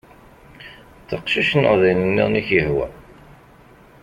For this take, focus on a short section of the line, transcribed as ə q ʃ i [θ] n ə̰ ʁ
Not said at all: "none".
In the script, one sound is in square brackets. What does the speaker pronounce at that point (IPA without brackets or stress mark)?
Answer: ʃ